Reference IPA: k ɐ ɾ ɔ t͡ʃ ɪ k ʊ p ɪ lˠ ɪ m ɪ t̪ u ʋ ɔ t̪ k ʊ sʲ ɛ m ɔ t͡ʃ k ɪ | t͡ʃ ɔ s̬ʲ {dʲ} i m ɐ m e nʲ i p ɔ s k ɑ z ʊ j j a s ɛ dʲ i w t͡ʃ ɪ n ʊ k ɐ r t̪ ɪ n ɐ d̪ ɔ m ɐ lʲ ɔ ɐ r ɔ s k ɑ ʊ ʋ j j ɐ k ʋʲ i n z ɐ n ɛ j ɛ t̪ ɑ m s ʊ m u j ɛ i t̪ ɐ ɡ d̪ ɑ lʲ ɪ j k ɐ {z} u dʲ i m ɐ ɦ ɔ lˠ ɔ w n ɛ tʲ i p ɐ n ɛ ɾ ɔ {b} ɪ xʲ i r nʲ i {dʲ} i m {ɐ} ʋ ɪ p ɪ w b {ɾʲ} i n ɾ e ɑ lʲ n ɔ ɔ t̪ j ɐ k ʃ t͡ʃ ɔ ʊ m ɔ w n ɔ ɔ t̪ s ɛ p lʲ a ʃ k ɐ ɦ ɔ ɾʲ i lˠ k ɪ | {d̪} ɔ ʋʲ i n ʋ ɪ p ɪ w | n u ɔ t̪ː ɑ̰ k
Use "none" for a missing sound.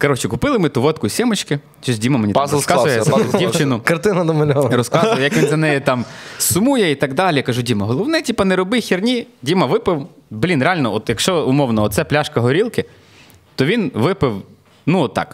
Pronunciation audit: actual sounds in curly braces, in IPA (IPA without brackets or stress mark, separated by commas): dʲ, ʒ, b, dʲ, ɐ, lʲ, t̪